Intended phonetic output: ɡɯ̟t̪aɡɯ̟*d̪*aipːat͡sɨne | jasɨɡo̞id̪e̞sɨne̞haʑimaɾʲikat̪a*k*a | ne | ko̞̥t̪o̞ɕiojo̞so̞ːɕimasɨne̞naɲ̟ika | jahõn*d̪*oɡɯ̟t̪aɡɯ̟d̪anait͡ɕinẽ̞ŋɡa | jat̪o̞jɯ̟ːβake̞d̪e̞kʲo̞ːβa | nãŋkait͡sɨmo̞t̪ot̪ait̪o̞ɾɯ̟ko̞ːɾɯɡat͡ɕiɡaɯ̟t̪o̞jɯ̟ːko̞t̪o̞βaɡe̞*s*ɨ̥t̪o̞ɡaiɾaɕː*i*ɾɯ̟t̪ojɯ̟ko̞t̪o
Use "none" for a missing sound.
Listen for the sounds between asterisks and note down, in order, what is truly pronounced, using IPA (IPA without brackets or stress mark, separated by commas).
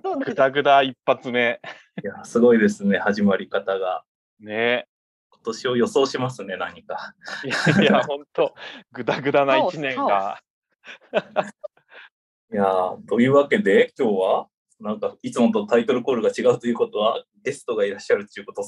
d̪, ɡ, t̪, s, a